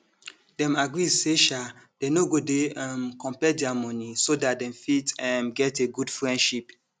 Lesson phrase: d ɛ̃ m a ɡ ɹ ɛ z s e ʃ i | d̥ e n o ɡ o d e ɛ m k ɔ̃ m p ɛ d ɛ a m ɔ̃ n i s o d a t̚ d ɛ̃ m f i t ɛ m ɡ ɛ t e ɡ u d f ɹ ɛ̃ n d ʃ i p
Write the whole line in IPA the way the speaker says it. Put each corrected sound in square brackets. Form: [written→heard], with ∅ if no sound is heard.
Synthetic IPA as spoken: d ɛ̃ m a ɡ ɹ [ɛ→i] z s e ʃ [i→a] | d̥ e n o ɡ o d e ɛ m k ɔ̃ m p ɛ d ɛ a m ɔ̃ n i s o d a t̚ d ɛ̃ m f i t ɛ m ɡ ɛ t e ɡ u d f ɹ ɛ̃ n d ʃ i p